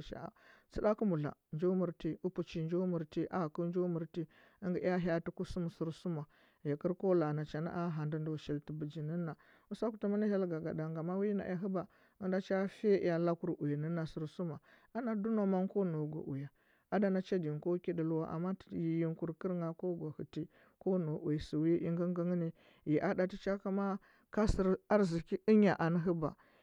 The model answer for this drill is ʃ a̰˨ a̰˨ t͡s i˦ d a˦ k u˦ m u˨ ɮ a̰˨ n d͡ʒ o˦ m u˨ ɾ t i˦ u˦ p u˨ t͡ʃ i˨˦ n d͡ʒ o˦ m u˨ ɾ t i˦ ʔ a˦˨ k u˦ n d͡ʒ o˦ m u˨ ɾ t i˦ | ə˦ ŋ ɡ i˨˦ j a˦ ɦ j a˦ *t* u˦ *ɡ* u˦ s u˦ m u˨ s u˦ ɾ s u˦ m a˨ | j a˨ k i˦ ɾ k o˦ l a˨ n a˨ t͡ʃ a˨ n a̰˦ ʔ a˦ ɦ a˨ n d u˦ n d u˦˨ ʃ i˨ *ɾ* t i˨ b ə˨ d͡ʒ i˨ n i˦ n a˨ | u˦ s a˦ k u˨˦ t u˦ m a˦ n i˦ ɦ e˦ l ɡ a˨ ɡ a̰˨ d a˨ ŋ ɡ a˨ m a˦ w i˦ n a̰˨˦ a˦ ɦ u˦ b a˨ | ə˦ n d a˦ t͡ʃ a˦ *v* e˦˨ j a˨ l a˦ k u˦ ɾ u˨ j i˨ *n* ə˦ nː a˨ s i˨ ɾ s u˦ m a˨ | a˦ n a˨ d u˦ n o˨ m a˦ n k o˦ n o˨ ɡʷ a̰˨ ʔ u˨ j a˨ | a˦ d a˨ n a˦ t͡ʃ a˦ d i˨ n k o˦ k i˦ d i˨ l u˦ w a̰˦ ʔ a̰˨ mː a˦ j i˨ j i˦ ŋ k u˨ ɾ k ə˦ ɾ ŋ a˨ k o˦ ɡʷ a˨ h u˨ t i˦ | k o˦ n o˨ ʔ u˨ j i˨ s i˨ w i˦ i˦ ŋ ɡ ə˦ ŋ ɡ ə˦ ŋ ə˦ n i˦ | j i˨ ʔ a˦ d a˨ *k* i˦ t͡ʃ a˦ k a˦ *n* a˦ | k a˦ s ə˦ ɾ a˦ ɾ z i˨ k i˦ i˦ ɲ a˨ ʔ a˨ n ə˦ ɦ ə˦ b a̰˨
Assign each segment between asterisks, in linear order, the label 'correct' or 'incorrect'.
correct, incorrect: k, incorrect: l, incorrect: f, correct, incorrect: t, incorrect: m

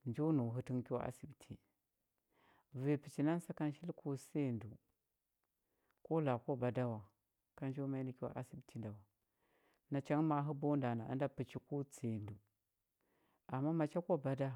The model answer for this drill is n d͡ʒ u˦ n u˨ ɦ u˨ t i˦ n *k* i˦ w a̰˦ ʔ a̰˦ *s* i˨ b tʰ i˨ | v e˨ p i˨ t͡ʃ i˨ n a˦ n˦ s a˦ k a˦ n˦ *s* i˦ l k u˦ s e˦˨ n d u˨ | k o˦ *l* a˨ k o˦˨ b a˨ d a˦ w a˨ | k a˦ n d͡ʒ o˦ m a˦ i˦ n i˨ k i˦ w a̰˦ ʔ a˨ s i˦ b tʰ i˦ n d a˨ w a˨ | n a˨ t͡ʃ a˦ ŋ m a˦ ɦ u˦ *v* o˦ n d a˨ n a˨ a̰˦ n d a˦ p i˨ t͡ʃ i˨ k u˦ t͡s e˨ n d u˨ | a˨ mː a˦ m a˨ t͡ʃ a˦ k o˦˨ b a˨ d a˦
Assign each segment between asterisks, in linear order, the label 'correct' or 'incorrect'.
correct, correct, incorrect: ʃ, correct, incorrect: b

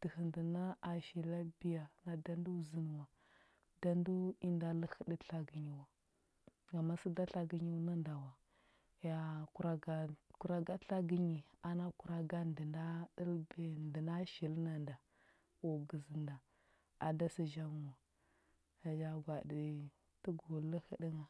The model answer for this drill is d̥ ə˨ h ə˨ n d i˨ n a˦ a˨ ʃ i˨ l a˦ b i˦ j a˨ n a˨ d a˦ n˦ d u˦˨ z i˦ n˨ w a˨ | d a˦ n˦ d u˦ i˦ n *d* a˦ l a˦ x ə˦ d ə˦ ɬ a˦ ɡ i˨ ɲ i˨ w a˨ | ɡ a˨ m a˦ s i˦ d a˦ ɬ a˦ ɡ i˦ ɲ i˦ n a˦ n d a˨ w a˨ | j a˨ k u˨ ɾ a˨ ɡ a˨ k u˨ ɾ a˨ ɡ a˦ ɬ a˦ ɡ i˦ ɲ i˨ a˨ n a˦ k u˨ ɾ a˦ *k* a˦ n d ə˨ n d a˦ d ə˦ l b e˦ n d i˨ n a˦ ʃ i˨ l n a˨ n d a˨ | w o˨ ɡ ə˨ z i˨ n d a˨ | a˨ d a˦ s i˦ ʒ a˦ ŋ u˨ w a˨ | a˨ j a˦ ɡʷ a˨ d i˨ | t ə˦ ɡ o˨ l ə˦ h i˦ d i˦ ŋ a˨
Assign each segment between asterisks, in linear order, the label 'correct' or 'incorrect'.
correct, incorrect: ɡ

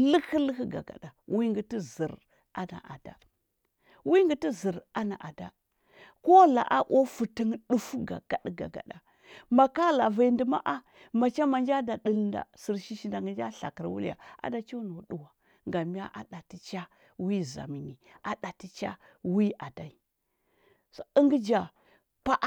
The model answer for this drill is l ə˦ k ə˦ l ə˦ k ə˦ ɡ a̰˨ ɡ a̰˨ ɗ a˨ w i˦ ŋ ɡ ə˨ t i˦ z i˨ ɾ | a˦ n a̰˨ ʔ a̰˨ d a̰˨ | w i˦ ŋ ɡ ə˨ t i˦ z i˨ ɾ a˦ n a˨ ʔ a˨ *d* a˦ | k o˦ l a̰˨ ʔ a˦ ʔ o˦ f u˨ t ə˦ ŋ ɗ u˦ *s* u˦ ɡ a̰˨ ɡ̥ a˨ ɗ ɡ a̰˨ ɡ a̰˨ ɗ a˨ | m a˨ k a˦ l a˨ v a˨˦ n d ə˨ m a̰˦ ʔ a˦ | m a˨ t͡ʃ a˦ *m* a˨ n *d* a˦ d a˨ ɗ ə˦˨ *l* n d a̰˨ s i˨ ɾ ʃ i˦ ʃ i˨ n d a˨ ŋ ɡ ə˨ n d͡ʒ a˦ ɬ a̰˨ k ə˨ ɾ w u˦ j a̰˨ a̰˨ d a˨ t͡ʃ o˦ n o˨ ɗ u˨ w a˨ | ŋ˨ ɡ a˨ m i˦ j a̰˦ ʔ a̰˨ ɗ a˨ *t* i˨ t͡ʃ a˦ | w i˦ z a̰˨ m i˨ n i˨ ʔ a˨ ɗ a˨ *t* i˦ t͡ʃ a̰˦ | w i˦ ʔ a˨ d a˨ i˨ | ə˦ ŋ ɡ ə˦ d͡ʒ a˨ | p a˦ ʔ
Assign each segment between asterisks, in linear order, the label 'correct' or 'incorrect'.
correct, incorrect: f, correct, incorrect: d͡ʒ, correct, correct, correct

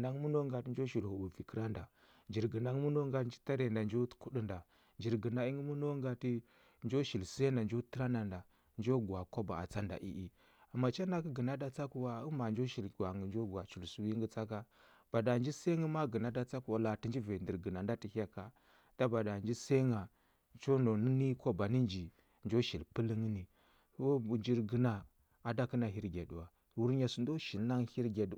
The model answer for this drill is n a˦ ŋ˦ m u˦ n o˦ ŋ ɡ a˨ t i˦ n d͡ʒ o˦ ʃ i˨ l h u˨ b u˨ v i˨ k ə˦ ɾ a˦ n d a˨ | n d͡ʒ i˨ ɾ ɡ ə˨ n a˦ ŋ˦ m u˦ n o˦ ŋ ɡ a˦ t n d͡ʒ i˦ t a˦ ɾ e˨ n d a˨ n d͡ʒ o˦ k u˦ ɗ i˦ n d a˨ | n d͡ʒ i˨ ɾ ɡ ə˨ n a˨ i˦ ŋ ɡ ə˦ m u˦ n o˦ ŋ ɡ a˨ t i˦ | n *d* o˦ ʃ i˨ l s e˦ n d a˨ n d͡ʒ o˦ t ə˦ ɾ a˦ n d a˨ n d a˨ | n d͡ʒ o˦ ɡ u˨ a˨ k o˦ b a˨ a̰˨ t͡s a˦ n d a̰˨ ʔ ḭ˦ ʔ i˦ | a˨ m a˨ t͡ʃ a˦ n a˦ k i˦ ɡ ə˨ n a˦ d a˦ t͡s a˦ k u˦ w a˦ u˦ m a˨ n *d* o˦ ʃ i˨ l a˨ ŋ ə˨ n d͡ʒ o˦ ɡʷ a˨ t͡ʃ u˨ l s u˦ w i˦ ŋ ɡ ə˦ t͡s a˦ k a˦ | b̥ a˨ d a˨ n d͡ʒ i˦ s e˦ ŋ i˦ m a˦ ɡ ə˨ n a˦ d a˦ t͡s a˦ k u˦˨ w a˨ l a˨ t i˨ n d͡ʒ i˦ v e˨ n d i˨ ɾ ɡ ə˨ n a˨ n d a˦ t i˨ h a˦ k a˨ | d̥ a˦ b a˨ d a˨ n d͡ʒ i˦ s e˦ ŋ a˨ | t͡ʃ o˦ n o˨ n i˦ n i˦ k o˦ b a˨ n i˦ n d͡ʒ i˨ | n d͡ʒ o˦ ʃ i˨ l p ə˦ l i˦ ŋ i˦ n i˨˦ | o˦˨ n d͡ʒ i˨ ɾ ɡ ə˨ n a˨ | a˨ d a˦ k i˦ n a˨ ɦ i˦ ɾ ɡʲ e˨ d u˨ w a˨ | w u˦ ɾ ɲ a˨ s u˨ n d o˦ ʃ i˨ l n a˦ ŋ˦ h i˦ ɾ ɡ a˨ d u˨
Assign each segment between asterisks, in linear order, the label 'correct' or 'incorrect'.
incorrect: d͡ʒ, incorrect: d͡ʒ

